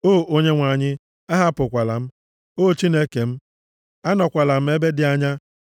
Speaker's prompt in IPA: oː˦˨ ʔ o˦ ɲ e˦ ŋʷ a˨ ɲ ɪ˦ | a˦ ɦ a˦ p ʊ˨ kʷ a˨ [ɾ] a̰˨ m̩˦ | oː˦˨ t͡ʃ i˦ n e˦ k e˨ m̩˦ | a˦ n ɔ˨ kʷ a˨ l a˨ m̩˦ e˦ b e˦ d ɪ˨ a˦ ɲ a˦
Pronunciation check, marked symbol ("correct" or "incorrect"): incorrect